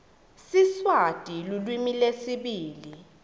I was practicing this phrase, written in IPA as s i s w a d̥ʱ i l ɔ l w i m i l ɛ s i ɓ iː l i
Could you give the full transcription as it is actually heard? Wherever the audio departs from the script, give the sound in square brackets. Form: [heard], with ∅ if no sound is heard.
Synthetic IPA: s i s w a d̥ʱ i l [u] l w i m i l [e] s i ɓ iː l i

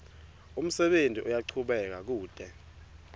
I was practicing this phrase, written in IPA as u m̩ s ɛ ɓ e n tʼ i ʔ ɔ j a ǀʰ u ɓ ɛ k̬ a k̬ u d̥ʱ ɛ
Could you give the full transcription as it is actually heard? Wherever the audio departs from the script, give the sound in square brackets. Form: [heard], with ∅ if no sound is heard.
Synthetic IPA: u m̩ s ɛ ɓ e n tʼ i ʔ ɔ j a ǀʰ u ɓ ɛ k̬ a k̬ [uː] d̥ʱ ɛ

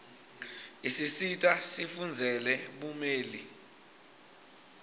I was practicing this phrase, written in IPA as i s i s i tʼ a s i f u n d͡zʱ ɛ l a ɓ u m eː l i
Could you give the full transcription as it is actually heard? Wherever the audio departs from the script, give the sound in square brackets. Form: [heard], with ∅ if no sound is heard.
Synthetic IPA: i s i s i tʼ a s i f u n d͡zʱ ɛ l [ɛ] ɓ u m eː l i

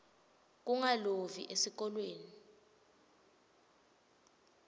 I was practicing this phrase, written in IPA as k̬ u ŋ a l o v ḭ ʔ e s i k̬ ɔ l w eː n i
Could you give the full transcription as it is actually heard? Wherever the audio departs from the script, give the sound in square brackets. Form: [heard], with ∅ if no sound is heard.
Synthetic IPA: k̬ u ŋ a l o v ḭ ʔ e s i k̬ ɔ l w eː n i

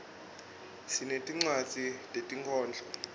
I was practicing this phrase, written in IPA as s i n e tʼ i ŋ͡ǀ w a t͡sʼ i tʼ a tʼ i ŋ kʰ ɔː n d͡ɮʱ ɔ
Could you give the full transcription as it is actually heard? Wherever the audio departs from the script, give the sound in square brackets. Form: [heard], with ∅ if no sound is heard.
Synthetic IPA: s i n e tʼ i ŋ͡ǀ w a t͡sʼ i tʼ [e] tʼ i ŋ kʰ ɔː n d͡ɮʱ ɔ

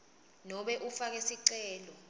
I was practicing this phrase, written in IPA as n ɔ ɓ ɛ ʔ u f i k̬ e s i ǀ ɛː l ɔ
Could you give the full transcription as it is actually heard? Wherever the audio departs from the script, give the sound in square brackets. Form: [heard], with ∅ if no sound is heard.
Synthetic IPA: n ɔ ɓ ɛ ʔ u f [a] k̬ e s i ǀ ɛː l ɔ

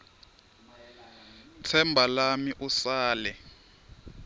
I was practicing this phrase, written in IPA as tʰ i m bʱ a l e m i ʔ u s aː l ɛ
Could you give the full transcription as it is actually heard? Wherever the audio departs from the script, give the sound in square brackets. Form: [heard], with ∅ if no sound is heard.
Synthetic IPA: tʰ [ɛ] m bʱ a l [a] m i ʔ u s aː l ɛ

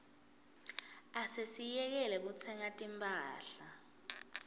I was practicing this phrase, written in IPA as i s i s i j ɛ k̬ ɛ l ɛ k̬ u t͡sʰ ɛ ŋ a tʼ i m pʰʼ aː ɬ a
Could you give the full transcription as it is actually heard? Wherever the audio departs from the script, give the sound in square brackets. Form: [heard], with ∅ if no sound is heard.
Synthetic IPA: [a] s [e] s i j ɛ k̬ ɛ l ɛ k̬ u t͡sʰ ɛ ŋ a tʼ i m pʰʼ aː ɬ a

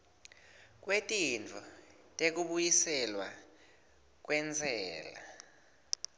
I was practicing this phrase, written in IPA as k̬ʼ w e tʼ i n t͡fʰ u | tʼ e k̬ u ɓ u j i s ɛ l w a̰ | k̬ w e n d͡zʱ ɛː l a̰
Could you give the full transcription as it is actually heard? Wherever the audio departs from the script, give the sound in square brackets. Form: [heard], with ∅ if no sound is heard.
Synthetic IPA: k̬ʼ w e tʼ i n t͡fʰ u | tʼ e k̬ u ɓ u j i s ɛ l w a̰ | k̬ w [ɛ] n d͡zʱ ɛː l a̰

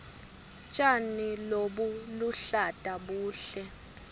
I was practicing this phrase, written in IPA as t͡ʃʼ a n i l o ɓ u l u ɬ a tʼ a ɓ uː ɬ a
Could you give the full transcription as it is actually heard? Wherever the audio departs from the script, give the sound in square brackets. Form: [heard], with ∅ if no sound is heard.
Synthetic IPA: t͡ʃʼ a n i l o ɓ u l u ɬ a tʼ a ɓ uː ɬ [ɛ]

